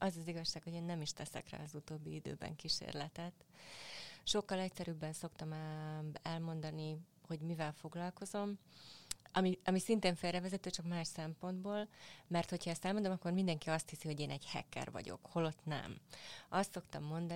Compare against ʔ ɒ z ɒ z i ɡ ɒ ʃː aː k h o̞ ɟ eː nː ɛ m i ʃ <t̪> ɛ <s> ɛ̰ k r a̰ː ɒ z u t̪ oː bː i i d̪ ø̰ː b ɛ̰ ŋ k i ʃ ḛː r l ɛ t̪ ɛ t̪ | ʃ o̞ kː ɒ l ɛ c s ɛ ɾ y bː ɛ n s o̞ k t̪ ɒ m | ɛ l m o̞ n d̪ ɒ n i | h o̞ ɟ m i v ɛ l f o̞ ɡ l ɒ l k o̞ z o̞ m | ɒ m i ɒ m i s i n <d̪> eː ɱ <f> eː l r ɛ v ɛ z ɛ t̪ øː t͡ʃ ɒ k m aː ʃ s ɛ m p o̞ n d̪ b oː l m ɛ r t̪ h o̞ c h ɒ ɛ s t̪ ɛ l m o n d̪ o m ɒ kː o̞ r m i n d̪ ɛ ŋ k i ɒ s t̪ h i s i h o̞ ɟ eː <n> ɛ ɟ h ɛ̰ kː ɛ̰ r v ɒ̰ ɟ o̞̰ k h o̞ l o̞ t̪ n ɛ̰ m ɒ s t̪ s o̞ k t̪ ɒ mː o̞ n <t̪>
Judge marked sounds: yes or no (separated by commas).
yes, yes, no, yes, yes, no